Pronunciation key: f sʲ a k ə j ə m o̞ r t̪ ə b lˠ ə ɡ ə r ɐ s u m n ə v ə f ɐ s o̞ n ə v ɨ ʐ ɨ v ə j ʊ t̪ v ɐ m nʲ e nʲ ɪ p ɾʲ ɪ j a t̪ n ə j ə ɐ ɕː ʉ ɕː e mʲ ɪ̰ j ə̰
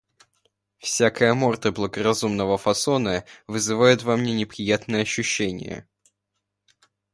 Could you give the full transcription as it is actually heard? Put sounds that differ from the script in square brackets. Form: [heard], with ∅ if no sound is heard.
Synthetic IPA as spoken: f sʲ a k ə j ə m o̞ r t̪ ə b lˠ ə ɡ ə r ɐ [z] u m n ə v ə f ɐ s o̞ n ə v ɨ [z] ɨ v [a] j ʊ t̪ v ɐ m nʲ e nʲ ɪ p ɾʲ ɪ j a t̪ n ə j ə ɐ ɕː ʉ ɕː e [nʲ] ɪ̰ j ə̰